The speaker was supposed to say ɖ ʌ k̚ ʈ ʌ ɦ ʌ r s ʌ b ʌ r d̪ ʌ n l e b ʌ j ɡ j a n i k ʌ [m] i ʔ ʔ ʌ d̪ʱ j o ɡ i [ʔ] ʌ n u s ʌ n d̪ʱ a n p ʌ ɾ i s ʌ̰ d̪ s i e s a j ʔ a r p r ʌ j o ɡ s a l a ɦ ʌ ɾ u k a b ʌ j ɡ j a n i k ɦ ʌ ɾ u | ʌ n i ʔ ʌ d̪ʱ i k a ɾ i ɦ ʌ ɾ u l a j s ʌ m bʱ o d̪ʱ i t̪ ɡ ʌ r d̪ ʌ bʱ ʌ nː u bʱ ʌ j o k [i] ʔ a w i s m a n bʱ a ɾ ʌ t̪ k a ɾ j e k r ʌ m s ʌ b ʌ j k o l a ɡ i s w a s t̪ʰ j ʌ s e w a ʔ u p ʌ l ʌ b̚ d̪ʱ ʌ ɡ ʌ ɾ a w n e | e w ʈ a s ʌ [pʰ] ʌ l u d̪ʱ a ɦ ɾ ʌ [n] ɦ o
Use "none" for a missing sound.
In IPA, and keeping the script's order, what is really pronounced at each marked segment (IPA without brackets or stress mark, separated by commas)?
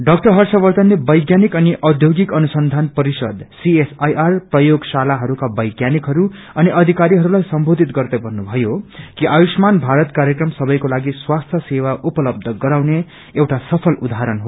n, k, i, pʰ, n